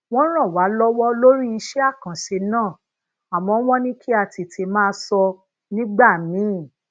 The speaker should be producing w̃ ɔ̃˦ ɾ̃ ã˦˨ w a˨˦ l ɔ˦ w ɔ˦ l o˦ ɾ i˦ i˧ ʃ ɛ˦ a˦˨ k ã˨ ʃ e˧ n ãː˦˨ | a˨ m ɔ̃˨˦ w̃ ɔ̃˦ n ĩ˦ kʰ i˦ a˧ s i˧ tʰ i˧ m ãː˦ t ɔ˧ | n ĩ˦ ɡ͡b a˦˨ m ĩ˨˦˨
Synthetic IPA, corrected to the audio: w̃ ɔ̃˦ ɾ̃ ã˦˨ w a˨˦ l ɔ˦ w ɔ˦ l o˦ ɾ i˦ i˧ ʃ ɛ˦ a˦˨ k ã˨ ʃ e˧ n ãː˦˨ | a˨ m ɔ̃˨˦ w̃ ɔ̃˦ n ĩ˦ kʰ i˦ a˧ t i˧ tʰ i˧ m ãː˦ s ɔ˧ | n ĩ˦ ɡ͡b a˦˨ m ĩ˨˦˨

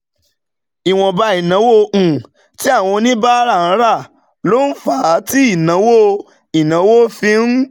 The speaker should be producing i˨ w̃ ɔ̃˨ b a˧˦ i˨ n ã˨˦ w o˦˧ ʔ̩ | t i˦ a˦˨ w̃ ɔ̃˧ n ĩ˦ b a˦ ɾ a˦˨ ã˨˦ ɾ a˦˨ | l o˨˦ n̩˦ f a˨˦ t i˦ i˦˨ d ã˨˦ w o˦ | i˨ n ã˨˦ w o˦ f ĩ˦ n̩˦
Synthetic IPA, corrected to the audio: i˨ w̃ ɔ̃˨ b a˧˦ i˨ n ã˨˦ w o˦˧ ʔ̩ | t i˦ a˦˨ w̃ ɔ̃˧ n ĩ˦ b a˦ ɾ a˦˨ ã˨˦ ɾ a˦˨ | l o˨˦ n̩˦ f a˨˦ t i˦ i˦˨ n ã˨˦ w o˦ | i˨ n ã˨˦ w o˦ f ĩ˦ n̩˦

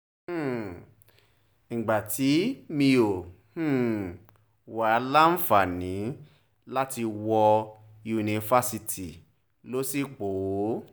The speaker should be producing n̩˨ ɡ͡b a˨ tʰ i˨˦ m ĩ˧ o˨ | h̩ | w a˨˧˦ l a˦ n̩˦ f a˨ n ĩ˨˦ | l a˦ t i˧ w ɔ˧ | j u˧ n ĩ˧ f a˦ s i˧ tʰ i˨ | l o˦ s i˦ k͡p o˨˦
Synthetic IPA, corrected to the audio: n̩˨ ɡ͡b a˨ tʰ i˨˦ m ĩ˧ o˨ | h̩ | w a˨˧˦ l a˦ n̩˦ f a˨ n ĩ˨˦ | l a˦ t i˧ w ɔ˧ | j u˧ n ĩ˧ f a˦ s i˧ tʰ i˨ | l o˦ s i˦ k͡p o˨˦

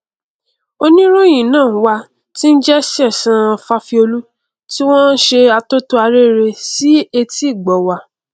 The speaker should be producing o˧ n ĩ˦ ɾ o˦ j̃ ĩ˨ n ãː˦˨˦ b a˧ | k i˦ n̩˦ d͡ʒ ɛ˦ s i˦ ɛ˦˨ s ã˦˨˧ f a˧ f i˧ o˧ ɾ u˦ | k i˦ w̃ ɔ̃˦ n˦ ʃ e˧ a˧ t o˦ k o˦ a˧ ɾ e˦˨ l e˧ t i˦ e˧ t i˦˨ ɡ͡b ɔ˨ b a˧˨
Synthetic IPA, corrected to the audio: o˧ n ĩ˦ ɾ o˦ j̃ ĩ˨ n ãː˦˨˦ w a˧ | t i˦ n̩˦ d͡ʒ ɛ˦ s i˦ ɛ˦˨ s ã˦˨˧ f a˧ f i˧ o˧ l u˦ | t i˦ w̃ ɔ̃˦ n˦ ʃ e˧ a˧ t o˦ t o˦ a˧ ɾ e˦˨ ɾ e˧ s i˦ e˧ t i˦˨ ɡ͡b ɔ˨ w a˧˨

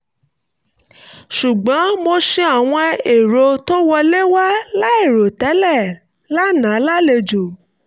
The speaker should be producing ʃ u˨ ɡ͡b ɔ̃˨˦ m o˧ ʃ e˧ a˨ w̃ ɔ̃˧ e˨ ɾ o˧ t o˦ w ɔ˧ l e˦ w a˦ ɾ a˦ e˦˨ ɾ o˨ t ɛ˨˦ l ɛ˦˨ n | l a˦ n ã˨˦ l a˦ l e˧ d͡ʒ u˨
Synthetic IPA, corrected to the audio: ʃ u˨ ɡ͡b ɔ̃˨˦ m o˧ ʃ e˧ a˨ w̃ ɔ̃˧ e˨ ɾ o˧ t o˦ w ɔ˧ l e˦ w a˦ l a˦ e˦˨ ɾ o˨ t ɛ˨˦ l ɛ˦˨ | l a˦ n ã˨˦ l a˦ l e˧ d͡ʒ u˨

